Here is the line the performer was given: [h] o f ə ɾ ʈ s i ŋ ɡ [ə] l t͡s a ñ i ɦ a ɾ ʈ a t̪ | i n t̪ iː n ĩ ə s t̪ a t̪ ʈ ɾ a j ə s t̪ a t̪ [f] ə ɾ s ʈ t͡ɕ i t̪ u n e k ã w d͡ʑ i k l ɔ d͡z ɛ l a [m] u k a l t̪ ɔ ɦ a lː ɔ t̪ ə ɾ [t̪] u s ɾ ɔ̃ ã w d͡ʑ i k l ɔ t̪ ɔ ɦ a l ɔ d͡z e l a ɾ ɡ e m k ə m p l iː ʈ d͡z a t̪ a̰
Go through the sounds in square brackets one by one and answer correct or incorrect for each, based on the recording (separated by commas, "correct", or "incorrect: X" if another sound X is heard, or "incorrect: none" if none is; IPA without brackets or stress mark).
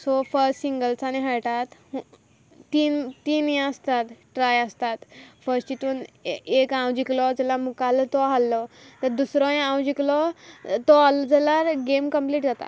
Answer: incorrect: s, correct, correct, correct, incorrect: d̪